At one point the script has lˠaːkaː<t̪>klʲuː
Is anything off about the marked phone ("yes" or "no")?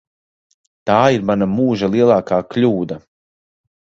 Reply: yes